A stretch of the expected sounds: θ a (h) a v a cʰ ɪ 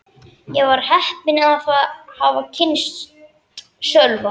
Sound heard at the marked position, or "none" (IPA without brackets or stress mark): h